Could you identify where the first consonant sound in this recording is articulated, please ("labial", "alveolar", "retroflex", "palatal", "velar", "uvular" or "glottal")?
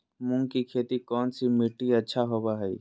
labial